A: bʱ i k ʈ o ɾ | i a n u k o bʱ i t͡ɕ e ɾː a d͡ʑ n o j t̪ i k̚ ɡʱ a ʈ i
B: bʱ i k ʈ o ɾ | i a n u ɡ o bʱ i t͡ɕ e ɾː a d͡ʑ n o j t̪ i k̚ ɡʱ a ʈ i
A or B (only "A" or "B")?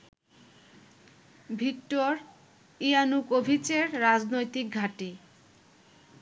A